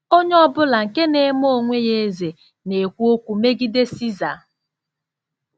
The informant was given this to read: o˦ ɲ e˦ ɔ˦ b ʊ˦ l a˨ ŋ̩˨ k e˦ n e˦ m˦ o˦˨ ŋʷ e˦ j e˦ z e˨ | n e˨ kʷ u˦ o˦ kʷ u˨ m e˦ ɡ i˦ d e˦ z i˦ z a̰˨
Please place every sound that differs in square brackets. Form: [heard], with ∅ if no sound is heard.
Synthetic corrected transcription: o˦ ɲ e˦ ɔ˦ b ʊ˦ l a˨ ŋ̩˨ k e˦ n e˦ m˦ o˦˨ ŋʷ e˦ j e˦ z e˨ | n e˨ kʷ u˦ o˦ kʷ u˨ m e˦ ɡ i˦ d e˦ [s] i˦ z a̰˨